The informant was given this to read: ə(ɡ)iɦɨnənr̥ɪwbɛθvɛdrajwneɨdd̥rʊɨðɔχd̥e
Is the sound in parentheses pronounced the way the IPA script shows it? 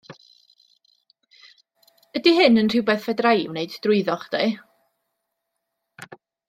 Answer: no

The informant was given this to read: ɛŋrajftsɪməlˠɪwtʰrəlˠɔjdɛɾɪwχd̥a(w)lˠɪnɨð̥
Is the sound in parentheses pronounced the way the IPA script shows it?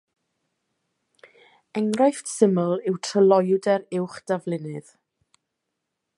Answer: no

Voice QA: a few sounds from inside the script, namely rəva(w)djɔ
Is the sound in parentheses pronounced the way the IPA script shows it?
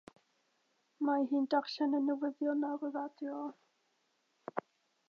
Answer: no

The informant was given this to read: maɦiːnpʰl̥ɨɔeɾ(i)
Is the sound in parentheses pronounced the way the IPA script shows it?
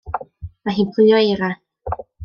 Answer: no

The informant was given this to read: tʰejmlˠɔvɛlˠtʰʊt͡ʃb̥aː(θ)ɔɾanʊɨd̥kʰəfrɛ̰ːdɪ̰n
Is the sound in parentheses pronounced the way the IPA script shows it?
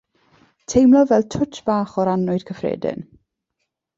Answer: no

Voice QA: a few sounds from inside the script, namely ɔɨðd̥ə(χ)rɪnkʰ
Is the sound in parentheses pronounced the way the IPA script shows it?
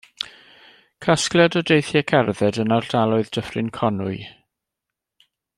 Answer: no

